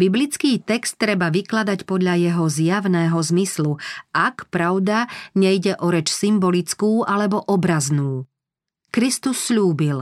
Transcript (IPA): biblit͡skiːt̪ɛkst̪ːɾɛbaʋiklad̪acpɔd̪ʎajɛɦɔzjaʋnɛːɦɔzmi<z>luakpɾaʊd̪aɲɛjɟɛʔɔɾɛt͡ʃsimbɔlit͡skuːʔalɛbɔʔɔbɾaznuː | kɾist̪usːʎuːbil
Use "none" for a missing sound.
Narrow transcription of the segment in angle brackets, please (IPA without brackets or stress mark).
s